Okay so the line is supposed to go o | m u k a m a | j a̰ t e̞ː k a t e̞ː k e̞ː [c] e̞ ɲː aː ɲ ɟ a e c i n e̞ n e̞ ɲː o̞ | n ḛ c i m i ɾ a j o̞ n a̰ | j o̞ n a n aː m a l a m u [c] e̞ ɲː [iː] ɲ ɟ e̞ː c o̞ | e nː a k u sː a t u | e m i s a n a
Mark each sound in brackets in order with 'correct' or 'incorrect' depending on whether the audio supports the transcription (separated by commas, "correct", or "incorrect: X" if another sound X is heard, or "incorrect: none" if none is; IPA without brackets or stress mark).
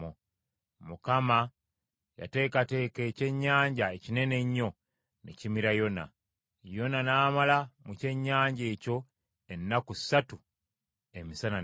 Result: correct, correct, incorrect: aː